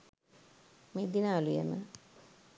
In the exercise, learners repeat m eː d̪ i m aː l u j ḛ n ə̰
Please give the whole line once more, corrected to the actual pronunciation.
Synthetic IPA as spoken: m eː d̪ i n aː l u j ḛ m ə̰